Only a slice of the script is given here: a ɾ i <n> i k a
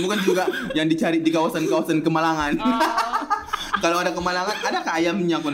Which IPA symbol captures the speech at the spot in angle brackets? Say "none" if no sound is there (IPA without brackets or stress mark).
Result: d